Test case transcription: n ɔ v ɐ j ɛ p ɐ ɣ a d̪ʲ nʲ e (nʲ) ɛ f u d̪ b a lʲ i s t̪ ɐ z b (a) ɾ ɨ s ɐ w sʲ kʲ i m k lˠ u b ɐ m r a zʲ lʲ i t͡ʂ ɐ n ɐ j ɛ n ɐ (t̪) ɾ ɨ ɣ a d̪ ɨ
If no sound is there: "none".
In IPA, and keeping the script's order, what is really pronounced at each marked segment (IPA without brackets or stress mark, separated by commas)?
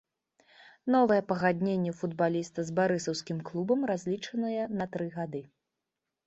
nʲː, a, t̪